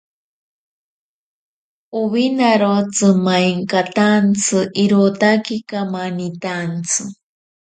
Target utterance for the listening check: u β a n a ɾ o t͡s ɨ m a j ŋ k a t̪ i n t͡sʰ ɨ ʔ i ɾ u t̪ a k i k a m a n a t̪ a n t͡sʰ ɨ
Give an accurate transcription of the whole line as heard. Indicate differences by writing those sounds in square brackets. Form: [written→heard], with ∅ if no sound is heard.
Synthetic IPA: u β [a→i] n a ɾ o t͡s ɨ m a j ŋ k a t̪ [i→a] n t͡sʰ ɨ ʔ i ɾ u t̪ a k i k a m a n [a→i] t̪ a n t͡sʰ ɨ